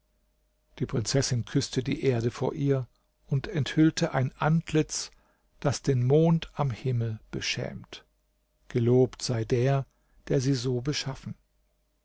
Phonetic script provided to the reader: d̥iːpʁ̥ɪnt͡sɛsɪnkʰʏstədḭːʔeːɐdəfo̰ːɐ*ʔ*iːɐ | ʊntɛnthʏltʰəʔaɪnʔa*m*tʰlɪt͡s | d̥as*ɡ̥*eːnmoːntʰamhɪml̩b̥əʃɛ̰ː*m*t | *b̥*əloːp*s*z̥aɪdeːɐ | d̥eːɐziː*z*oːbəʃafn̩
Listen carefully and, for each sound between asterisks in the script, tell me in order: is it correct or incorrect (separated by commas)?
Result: correct, incorrect, incorrect, correct, incorrect, incorrect, correct